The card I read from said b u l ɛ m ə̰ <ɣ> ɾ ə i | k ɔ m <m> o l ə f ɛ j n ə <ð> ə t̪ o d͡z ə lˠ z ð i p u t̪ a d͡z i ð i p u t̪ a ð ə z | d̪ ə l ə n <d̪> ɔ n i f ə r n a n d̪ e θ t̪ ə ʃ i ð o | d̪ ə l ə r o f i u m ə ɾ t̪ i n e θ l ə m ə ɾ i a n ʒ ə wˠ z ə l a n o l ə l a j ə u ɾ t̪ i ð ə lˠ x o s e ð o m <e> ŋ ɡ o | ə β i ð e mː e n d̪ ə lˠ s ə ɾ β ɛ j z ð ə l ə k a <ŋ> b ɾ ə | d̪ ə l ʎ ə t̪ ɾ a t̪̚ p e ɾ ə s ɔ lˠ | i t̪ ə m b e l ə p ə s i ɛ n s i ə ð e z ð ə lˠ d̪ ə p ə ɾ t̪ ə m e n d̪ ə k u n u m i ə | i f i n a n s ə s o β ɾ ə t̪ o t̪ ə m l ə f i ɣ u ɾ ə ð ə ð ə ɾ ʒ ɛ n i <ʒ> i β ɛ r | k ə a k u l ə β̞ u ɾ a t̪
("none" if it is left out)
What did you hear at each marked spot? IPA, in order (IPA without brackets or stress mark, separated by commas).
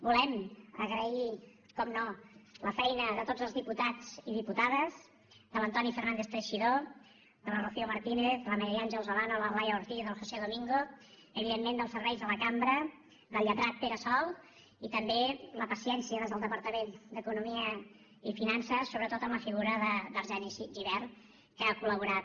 ɣ, n, ð, t̪, i, m, ʒ